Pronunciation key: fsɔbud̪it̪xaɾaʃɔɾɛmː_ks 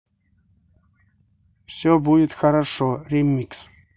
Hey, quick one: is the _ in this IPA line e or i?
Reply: i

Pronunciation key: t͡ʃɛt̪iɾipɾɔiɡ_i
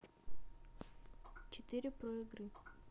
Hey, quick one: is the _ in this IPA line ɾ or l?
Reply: ɾ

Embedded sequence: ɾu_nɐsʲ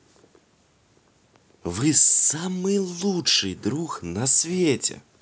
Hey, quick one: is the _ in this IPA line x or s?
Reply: x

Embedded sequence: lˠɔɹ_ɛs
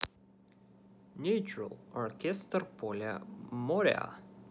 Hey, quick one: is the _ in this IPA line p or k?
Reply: k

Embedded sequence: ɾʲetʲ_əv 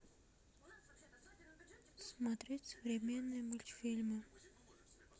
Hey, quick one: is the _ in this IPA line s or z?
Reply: s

